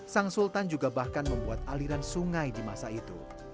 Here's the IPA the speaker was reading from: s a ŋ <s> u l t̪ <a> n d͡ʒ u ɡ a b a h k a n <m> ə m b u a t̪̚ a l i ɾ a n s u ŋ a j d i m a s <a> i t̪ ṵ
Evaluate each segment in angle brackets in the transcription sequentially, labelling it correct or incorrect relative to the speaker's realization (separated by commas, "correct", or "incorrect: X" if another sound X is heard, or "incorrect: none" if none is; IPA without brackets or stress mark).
correct, correct, correct, correct